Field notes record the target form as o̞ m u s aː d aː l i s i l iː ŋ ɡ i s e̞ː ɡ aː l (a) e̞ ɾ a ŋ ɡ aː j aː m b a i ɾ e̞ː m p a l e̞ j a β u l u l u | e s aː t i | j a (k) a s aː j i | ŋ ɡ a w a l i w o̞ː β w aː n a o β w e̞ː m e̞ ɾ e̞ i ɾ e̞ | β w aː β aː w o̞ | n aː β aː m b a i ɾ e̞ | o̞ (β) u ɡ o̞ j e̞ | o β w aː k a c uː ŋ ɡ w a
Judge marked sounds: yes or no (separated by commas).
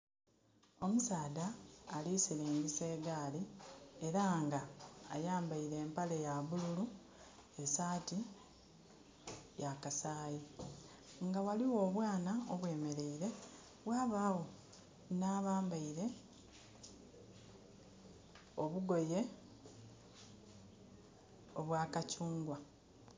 no, yes, yes